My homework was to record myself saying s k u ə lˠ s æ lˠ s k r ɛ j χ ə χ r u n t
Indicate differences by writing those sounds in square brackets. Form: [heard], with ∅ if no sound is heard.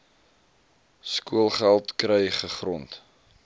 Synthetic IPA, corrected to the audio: s k u ə lˠ [χ] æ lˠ [t] k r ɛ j χ ə χ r [ɔ] n t